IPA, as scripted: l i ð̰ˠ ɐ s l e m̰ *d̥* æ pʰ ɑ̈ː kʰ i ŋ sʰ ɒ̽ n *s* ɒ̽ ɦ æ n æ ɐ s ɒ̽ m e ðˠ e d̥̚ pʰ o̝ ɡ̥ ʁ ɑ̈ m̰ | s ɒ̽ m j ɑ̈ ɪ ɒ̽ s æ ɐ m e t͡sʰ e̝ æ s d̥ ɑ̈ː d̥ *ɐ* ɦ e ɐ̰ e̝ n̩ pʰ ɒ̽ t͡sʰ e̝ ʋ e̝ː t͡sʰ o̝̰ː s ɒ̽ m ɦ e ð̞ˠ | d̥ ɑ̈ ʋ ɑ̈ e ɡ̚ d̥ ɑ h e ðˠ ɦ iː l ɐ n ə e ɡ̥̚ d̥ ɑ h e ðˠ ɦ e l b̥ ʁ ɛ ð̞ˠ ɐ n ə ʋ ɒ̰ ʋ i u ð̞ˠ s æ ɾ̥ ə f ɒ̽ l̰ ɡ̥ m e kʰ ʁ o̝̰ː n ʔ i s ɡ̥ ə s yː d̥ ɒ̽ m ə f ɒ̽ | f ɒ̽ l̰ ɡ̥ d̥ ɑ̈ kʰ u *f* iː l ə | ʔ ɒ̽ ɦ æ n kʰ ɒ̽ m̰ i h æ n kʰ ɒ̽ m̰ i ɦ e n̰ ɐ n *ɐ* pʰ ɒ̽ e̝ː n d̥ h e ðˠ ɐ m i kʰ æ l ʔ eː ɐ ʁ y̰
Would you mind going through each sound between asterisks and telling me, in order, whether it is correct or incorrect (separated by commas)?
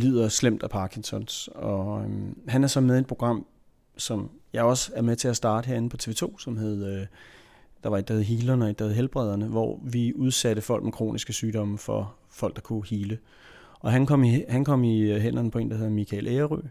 correct, correct, incorrect, incorrect, incorrect